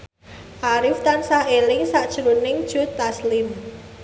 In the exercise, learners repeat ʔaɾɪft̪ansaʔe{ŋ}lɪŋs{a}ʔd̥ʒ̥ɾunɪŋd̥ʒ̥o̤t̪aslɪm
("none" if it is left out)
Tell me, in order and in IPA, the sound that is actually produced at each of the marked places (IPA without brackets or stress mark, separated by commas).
none, a